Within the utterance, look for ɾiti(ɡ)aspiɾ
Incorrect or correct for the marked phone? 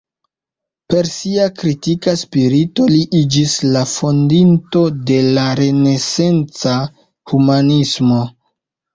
incorrect: k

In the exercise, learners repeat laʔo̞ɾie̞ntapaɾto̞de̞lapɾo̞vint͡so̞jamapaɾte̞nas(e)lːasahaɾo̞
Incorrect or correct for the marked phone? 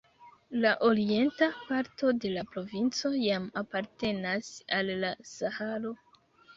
incorrect: a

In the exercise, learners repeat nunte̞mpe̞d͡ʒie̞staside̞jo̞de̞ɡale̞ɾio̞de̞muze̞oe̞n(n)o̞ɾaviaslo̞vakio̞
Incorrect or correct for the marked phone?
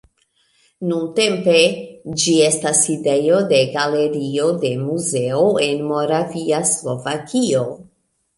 incorrect: m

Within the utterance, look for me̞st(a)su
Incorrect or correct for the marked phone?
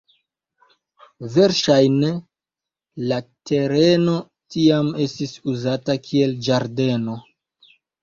incorrect: i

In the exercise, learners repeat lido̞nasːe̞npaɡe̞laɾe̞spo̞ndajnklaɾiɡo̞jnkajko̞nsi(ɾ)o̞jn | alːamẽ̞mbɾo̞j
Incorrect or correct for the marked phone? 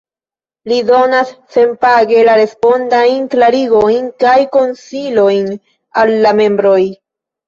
incorrect: l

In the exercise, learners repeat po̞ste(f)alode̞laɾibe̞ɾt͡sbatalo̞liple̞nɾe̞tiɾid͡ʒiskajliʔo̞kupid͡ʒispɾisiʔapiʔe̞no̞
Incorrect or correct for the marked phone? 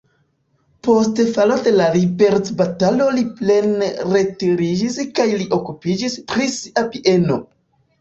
correct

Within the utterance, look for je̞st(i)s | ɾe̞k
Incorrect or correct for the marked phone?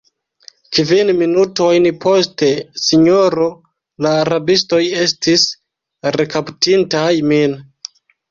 correct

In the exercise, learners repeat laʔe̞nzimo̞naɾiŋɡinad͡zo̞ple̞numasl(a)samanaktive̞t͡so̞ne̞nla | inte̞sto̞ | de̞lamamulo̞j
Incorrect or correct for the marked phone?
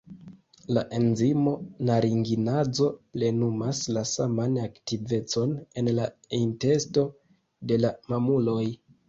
correct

